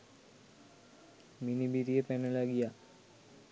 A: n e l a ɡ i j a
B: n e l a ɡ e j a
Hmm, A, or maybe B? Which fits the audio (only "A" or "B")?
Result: A